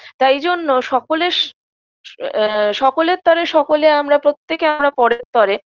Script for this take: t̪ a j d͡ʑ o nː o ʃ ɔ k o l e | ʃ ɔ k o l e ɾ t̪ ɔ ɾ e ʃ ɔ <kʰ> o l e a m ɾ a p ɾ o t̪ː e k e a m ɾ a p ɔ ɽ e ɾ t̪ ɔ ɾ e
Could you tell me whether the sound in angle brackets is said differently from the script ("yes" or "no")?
yes